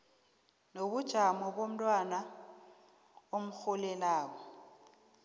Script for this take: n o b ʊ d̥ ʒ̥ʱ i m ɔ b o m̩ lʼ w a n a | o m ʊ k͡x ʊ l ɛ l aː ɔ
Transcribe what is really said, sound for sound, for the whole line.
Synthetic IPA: n o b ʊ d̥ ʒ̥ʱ a m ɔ b o m̩ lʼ w a n a | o m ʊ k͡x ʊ l ɛ l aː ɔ